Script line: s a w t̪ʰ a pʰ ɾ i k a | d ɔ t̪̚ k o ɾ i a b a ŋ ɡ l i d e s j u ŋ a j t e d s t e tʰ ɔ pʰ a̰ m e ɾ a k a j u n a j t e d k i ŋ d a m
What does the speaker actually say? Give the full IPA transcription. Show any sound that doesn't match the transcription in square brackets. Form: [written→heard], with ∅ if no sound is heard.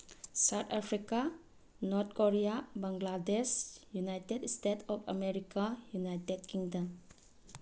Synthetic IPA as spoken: s a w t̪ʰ a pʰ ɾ i k a | [d→n] ɔ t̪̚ k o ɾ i a b a ŋ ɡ l [i→a] d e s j u [ŋ→n] a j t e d s t e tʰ ɔ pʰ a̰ m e ɾ [a→i] k a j u n a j t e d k i ŋ d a m